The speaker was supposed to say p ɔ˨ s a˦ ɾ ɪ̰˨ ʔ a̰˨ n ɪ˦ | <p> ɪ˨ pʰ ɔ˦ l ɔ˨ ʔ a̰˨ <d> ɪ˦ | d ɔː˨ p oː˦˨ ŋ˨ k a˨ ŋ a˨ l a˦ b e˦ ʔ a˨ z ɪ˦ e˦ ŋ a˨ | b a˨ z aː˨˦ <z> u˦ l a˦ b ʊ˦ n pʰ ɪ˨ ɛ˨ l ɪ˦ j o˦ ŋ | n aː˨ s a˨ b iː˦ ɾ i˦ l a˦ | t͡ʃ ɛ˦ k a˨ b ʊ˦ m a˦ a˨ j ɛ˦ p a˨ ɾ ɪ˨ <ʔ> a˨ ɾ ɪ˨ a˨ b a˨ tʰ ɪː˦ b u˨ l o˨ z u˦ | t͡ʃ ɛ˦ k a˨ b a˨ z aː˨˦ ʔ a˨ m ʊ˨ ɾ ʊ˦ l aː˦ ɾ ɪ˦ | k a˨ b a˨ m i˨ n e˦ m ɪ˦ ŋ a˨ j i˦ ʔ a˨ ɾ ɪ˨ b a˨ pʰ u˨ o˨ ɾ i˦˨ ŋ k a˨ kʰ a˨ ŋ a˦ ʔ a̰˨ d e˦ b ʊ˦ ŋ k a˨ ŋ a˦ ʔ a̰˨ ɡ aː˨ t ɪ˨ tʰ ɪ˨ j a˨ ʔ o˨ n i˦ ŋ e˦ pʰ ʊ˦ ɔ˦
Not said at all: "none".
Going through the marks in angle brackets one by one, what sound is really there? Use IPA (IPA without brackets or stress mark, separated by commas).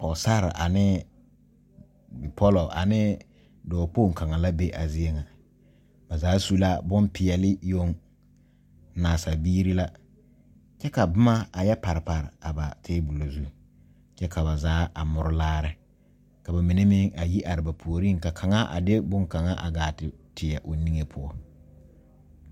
b, n, s, p